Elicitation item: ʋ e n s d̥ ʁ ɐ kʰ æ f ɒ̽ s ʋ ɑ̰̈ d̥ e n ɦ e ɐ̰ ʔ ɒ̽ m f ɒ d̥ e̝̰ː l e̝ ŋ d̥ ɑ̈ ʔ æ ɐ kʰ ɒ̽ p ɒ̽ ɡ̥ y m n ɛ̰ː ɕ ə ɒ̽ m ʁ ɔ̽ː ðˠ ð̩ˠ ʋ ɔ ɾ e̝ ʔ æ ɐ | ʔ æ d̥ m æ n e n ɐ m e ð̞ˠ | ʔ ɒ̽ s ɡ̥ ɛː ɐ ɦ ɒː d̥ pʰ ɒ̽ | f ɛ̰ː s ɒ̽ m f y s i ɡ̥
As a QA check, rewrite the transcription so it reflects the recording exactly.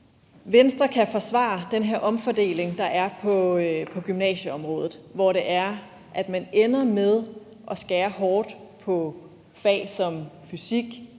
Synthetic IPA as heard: ʋ e n s d̥ ʁ ɐ kʰ æ f ɒ̽ s ʋ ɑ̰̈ d̥ e n ɦ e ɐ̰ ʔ ɒ̽ m f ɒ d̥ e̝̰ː l e̝ ŋ d̥ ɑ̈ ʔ æ ɐ pʰ ɒ̽ pʰ ɒ̽ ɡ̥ y m n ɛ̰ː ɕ ə ɒ̽ m ʁ ɔ̽ː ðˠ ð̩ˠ ʋ ɒ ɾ e̝ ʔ æ ɐ | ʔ æ d̥ m æ n e n ɐ m e ð̞ˠ | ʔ ɒ̽ s ɡ̥ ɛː ɐ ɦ ɒː d̥ pʰ ɒ̽ | f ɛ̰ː s ɒ̽ m f y s i ɡ̥

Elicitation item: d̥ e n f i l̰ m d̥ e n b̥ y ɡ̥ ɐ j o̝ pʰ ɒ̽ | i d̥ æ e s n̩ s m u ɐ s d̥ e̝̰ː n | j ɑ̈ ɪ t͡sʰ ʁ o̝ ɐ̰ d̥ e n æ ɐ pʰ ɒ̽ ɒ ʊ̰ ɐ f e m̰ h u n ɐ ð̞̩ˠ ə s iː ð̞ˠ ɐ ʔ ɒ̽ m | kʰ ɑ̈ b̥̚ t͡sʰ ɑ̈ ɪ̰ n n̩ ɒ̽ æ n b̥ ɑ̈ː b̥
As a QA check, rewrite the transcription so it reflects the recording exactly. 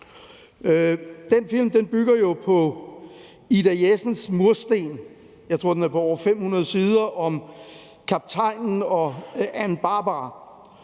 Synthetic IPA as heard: d̥ e n f i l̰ m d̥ e n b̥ y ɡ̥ ɐ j o̝ pʰ ɒ̽ | i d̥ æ e s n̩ s m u ɐ s d̥ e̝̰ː n | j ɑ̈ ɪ t͡sʰ ʁ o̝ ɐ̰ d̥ e n æ ɐ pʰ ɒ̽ ɒ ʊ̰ ɐ f e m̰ h u n ɐ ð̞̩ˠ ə s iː ð̞ˠ ɐ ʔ ɒ̽ m | kʰ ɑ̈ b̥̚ t͡sʰ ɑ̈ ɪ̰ n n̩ ɒ̽ æ n b̥ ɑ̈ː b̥

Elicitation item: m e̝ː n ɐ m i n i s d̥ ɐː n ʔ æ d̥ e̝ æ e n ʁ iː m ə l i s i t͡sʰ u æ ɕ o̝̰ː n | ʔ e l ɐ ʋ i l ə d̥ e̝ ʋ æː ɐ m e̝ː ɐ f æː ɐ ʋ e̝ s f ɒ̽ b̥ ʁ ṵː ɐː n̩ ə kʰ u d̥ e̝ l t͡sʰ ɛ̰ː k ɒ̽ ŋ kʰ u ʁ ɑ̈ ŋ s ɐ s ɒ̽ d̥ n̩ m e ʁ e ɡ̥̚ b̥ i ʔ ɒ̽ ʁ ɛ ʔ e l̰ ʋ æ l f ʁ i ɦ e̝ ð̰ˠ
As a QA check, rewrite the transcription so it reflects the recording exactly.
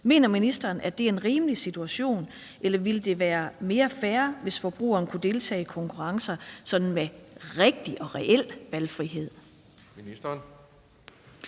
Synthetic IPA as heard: m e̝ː n ɐ m i n i s d̥ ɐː n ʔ æ d̥ e̝ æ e n ʁ iː m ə l i s i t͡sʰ u æ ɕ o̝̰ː n | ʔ e l ɐ ʋ i l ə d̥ e̝ ʋ æː ɐ m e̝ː ɐ f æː ɐ ʋ e̝ s f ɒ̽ b̥ ʁ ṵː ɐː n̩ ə kʰ u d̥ e̝ l t͡sʰ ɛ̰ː kʰ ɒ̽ ŋ kʰ u ʁ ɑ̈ ŋ s ɐ s ɒ̽ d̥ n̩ m e ʁ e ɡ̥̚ d̥ i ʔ ɒ̽ ʁ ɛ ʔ e l̰ ʋ æ l f ʁ i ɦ e̝ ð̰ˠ

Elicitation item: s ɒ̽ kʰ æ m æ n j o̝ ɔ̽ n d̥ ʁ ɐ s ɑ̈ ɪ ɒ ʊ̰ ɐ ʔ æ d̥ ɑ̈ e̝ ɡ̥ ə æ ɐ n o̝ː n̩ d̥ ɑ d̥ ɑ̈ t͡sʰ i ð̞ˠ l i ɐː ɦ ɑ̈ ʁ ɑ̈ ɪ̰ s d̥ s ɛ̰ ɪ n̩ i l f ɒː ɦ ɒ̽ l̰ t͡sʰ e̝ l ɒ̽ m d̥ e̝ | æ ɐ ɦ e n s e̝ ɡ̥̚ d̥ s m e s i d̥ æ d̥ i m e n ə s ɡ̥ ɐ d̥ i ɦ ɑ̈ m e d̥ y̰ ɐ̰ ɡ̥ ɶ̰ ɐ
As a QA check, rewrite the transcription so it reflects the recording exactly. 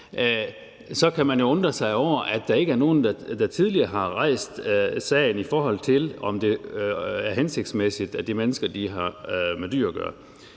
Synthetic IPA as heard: s ɒ̽ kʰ æ m æ n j o̝ ɔ̽ n d̥ ʁ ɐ s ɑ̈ ɪ ɒ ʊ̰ ɐ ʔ æ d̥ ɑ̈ e̝ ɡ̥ ə æ ɐ n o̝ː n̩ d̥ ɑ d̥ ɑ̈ t͡sʰ i ð̞ˠ l i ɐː ɦ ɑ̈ ʁ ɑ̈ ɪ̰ s d̥ s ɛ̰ ɪ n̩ i f ɒː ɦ ɒ̽ l̰ t͡sʰ e̝ l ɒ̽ m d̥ e̝ | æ ɐ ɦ e n s e̝ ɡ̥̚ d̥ s m e s i d̥ æ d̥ i m e n ə s ɡ̥ ɐ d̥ i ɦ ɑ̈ m e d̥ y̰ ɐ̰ ɡ̥ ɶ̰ ɐ

